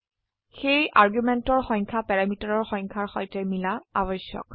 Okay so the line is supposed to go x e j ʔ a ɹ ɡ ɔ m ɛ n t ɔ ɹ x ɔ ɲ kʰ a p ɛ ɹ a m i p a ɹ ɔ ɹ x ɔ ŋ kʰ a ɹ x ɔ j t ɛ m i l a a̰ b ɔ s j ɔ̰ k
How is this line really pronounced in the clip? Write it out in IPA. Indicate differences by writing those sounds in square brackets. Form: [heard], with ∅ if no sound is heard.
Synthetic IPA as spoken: x e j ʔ a ɹ ɡ [u] m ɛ n t ɔ ɹ x ɔ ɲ kʰ a p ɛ ɹ a m i [t] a ɹ ɔ ɹ x ɔ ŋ kʰ a ɹ x ɔ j t ɛ m i l a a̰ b ɔ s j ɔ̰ k